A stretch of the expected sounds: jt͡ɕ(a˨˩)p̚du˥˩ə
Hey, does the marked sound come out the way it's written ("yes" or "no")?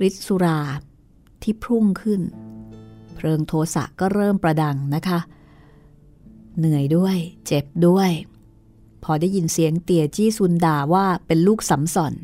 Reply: no